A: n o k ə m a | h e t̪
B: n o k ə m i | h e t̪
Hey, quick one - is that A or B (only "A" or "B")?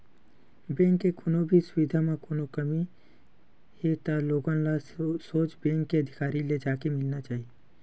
B